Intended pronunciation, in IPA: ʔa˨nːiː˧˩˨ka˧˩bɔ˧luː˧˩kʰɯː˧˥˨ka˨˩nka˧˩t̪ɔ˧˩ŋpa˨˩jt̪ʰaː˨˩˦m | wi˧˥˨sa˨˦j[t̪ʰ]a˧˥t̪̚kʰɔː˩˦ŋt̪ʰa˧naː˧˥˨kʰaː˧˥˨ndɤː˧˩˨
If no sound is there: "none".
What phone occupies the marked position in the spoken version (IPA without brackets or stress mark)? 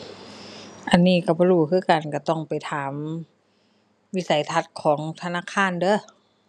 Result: t̪ʰ